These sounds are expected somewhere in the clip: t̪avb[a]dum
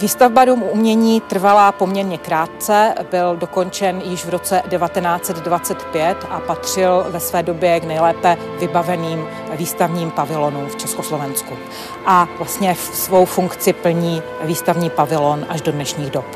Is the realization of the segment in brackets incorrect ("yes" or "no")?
no